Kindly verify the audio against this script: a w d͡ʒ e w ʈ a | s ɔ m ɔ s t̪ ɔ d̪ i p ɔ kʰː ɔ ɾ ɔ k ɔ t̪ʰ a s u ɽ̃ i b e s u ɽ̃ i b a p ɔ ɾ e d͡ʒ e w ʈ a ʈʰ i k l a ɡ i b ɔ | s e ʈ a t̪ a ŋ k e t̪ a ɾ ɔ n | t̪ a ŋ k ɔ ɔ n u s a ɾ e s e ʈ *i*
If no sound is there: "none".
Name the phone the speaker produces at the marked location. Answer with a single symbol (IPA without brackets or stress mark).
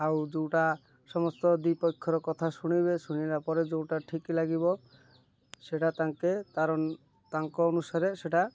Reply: a